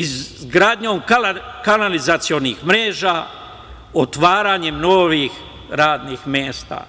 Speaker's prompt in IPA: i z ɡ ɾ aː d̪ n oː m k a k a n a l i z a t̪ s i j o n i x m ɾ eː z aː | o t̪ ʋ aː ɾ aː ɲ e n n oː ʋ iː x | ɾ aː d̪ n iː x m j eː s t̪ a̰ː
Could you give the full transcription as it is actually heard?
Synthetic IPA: i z ɡ ɾ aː d̪ ɲ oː m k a k a n a l i z a t̪ s i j o n i x m ɾ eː ʒ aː | o t̪ ʋ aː ɾ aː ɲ e m n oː ʋ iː x | ɾ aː d̪ n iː x m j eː s t̪ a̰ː